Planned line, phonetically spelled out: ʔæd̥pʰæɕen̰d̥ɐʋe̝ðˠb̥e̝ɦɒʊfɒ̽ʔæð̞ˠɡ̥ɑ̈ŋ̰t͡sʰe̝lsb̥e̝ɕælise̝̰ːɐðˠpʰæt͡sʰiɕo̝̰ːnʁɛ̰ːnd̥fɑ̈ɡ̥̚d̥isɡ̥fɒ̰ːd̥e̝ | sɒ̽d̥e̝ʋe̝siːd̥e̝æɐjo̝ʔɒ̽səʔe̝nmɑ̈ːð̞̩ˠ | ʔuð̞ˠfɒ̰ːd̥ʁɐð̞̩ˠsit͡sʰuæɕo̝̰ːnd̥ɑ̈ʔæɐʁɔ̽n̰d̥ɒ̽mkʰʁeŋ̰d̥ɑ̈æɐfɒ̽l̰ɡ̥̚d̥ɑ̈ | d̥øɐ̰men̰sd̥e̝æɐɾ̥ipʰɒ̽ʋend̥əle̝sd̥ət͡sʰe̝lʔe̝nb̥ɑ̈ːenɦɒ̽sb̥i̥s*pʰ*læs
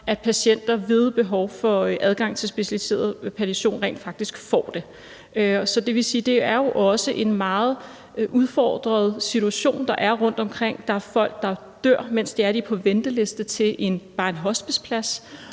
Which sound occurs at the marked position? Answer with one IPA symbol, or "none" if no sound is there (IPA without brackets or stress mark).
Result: pʰ